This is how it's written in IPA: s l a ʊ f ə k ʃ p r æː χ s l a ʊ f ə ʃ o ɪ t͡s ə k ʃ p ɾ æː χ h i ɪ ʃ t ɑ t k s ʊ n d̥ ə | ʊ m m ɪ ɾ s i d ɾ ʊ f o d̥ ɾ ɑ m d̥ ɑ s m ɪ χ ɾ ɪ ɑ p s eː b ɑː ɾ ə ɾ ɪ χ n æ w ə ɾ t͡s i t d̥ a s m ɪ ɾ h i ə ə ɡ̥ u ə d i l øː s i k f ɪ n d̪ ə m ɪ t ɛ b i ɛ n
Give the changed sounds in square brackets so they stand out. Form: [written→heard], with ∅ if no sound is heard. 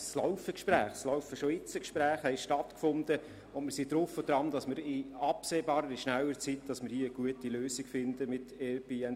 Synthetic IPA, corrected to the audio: s l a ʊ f ə k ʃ p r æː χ s l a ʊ f ə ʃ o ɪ t͡s ə k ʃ p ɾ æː χ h [i→ɛ] ɪ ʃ t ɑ t k [s→f] ʊ n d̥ ə | ʊ [m→n] m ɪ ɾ s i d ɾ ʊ f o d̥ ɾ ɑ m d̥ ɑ s m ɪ [χ→∅] ɾ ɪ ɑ p s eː b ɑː ɾ ə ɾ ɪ [χ→ʃ] n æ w ə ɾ t͡s i t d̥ [a→ɑ] s m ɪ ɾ h i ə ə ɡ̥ u ə [d→t] i l øː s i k f ɪ n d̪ ə m ɪ t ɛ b i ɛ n